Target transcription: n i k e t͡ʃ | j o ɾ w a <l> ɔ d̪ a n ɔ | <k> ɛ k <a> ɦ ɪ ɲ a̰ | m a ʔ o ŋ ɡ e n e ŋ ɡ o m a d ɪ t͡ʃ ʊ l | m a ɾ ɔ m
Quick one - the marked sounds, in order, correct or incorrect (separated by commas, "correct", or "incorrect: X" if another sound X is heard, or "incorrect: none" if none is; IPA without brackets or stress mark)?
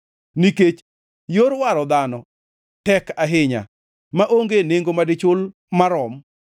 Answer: incorrect: ɾ, incorrect: t, correct